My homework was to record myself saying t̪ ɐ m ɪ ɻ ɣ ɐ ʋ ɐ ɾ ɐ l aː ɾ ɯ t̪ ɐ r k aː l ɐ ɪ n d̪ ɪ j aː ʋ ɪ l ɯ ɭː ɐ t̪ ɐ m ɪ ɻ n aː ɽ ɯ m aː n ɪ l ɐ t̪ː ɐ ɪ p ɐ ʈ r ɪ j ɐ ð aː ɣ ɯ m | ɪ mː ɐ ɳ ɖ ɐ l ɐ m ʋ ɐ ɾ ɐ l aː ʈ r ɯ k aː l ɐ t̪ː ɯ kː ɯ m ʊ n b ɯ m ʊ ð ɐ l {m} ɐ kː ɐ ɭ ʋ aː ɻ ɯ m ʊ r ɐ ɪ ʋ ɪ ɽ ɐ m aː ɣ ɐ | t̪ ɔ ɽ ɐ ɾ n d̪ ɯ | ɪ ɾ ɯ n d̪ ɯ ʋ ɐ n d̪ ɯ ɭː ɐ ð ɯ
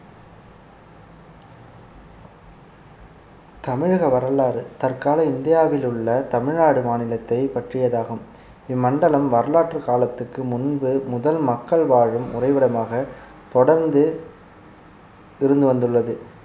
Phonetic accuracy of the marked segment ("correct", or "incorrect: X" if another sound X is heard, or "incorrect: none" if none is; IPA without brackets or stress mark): correct